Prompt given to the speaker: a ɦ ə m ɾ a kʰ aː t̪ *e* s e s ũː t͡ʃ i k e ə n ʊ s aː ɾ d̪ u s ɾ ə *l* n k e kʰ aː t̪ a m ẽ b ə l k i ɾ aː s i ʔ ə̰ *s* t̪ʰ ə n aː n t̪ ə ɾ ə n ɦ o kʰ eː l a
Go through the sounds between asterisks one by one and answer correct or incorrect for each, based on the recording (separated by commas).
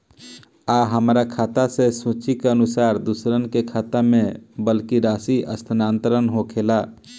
incorrect, incorrect, correct